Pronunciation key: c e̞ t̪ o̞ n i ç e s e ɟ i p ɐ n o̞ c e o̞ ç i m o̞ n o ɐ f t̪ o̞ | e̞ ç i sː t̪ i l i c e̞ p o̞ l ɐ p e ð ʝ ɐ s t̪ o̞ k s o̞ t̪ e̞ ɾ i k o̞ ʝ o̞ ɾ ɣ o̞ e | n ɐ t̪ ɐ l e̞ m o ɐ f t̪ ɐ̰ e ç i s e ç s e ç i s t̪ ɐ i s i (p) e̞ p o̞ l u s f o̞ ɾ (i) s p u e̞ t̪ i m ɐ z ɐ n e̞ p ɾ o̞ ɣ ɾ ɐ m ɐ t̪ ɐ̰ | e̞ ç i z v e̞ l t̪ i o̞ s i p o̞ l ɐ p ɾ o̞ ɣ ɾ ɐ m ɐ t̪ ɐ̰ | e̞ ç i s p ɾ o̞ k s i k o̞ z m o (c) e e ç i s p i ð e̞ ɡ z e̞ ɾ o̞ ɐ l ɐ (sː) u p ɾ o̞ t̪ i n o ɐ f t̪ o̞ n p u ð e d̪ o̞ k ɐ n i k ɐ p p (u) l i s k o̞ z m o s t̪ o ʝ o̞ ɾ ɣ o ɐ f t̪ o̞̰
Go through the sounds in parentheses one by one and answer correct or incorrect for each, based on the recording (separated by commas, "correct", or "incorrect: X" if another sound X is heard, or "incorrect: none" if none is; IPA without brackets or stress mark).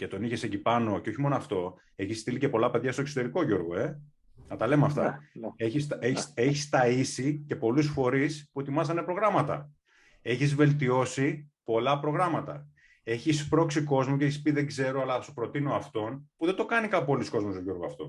incorrect: c, correct, correct, incorrect: s, incorrect: o